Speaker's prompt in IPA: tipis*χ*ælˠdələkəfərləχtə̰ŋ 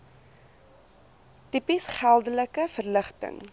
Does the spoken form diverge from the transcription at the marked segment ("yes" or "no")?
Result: no